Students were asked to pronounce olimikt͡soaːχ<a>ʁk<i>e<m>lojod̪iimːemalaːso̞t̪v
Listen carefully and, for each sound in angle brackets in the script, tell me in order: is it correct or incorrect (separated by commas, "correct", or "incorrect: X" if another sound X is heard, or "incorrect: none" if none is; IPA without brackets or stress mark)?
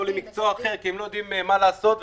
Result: incorrect: e, correct, correct